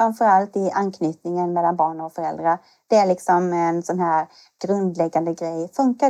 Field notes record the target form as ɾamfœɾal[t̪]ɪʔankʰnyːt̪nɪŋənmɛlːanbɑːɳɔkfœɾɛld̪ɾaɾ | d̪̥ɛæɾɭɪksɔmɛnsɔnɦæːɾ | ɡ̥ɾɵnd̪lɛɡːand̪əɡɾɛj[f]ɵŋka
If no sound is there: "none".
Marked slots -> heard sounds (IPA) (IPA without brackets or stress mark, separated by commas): t̪, f